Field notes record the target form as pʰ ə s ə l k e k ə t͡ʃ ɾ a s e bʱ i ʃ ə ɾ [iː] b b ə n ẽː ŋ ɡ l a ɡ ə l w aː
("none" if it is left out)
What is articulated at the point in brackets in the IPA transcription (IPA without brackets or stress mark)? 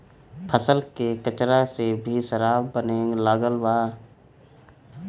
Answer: aː